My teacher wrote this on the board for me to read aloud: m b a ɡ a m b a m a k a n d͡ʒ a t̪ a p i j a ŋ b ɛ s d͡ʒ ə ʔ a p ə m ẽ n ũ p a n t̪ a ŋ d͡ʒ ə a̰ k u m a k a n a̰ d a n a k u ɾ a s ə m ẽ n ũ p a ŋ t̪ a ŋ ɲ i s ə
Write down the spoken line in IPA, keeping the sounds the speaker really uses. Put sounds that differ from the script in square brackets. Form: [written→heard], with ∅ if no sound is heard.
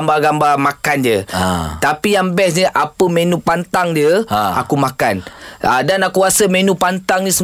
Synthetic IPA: m b a ɡ a m b a m a k a n d͡ʒ [a→ə] t̪ a p i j a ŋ b ɛ s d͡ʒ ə ʔ a p ə m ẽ n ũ p a n t̪ a ŋ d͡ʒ ə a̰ k u m a k a n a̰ d a n a k u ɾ a s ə m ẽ n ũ p a [ŋ→n] t̪ a ŋ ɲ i s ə